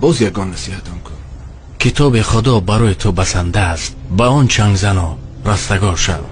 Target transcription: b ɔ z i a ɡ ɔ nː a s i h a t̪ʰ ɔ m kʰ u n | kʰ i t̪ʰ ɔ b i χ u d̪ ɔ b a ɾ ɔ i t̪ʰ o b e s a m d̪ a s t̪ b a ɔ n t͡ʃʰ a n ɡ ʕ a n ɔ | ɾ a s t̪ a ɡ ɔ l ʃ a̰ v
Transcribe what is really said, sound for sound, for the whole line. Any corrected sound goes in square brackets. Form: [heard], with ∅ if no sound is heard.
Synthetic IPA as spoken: b ɔ z [j] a ɡ ɔ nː a s i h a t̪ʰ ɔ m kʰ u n | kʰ i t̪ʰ ɔ b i χ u d̪ ɔ b a ɾ ɔ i t̪ʰ [u] b [a] s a [n] d̪ a s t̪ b a ɔ n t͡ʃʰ a [ŋ] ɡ [z] a n ɔ | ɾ a s t̪ a ɡ ɔ [ɾ] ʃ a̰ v